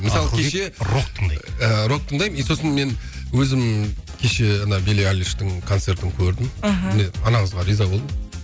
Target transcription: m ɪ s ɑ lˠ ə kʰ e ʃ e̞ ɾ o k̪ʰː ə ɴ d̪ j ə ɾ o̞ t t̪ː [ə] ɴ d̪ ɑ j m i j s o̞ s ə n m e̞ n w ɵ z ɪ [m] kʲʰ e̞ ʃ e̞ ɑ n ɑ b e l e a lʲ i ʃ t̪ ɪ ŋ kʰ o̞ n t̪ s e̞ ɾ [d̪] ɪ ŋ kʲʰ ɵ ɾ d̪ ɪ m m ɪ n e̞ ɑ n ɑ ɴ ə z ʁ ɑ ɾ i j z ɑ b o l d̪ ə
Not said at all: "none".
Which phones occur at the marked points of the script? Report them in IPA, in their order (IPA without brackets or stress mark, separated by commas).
ə, m, t̪